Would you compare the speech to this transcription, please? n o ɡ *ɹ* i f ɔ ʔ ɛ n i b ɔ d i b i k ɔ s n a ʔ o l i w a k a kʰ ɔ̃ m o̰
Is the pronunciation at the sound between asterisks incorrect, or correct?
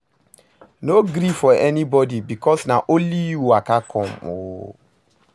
incorrect